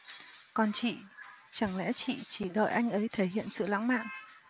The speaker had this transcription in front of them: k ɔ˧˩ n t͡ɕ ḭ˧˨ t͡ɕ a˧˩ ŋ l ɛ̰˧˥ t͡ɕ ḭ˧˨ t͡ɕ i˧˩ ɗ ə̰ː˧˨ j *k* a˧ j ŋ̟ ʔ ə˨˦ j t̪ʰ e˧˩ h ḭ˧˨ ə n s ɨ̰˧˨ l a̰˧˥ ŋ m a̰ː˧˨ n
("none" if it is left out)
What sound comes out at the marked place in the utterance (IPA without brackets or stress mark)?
ʔ